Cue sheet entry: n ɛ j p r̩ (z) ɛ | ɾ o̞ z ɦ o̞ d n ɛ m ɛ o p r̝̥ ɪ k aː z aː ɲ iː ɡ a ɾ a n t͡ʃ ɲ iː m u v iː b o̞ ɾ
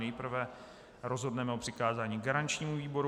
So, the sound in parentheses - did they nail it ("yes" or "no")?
no